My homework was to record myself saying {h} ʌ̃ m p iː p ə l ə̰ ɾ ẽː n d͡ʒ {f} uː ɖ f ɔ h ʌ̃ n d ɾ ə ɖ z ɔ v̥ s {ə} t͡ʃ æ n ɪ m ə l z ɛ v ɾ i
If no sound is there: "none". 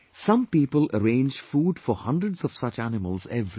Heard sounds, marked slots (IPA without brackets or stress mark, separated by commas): s, f, ʌ